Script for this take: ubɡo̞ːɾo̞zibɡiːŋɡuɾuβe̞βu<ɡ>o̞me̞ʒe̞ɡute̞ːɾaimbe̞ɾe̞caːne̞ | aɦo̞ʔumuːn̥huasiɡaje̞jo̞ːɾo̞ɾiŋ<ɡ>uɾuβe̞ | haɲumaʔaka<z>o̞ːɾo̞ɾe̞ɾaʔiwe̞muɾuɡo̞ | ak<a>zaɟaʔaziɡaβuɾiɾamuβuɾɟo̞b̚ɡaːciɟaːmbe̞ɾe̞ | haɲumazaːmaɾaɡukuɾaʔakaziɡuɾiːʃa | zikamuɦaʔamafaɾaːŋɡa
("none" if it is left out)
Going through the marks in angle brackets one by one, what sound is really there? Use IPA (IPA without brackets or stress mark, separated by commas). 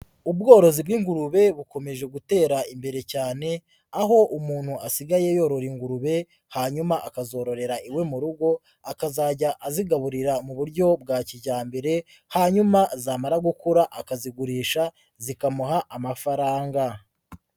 k, ɡ, z, a